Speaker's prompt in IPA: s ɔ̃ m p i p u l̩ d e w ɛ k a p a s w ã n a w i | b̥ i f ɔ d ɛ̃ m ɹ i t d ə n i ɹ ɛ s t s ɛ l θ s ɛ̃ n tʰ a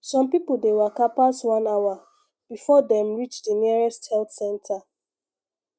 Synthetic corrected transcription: s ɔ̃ m p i p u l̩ d e w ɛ k a p a s w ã n a w a | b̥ i f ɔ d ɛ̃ m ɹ i t͡ʃ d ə n i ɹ ɛ s t h ɛ l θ s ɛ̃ n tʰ a